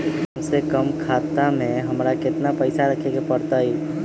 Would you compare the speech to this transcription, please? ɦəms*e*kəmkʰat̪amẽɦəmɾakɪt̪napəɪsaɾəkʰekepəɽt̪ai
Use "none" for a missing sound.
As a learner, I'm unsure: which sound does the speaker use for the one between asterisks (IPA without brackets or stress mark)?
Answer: e